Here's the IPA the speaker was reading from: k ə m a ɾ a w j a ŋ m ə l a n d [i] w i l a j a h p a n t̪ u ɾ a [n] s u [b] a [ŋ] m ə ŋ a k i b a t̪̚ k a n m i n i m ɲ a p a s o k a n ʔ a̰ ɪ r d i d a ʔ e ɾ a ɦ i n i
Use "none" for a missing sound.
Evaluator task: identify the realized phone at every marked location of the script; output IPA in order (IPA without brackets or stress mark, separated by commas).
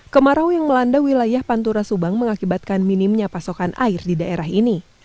a, none, b, ŋ